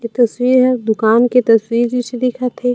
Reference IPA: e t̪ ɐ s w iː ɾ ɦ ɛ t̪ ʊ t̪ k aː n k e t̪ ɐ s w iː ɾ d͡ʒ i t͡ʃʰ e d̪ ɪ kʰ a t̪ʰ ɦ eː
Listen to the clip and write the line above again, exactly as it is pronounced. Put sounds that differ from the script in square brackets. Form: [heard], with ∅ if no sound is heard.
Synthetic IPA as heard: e t̪ ɐ s w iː ɾ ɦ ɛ [d̪] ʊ [∅] k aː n k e t̪ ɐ s w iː ɾ d͡ʒ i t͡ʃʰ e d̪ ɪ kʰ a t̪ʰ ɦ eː